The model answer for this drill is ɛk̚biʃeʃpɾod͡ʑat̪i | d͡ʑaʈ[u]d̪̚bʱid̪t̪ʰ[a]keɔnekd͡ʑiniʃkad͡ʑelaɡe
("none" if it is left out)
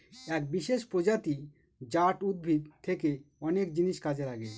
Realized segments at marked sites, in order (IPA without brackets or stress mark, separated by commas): u, e